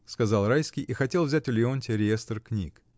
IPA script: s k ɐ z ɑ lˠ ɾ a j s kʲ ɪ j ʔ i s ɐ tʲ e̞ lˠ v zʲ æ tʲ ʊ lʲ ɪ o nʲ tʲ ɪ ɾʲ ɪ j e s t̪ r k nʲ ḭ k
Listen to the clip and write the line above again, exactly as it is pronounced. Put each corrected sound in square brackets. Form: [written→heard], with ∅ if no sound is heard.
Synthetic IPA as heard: s k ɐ z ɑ lˠ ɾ a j s kʲ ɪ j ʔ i [s→x] ɐ tʲ e̞ lˠ v zʲ æ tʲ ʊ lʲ ɪ o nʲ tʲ ɪ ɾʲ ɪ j e s t̪ r k nʲ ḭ k

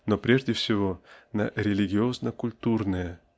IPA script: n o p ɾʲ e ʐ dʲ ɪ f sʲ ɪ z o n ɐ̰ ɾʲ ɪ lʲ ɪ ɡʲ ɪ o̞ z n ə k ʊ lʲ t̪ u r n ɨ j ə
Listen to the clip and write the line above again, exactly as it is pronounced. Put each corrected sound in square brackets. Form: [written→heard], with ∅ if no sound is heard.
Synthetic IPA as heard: n o p ɾʲ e ʐ dʲ ɪ f sʲ ɪ [z→v] o n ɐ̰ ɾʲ ɪ lʲ ɪ ɡʲ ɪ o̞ z n ə k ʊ lʲ t̪ u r n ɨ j ə

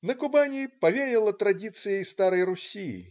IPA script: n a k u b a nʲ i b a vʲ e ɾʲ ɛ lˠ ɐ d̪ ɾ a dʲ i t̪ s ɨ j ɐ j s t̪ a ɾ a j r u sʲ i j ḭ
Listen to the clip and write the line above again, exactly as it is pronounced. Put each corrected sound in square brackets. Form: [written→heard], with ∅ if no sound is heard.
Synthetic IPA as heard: n [a→ɐ] k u b a nʲ i [b→p] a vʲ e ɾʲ ɛ lˠ ɐ [d̪→t̪] ɾ a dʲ i t̪ s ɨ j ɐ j s t̪ a ɾ [a→ɐ] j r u sʲ i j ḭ

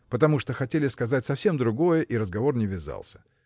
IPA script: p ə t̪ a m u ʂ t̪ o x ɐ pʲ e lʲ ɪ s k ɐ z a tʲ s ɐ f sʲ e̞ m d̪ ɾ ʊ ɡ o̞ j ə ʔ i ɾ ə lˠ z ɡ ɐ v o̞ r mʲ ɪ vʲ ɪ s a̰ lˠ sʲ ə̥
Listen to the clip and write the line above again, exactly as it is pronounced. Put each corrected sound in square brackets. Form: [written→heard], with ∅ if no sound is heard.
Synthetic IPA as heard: p ə t̪ [a→ɐ] m u ʂ t̪ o x ɐ [pʲ→tʲ] e lʲ ɪ s k ɐ z a tʲ s ɐ f sʲ e̞ m d̪ ɾ ʊ ɡ o̞ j ə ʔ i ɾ ə [lˠ→∅] z ɡ ɐ v o̞ r [mʲ→nʲ] ɪ vʲ ɪ [s→z] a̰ lˠ sʲ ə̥

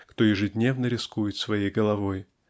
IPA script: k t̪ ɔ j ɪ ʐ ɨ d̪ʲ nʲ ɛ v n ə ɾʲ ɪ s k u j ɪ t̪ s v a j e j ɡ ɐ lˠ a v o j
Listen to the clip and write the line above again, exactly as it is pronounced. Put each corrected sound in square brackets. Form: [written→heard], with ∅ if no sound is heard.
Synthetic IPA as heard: k t̪ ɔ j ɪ ʐ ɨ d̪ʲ nʲ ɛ v n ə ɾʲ ɪ s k u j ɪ t̪ s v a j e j ɡ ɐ lˠ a v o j

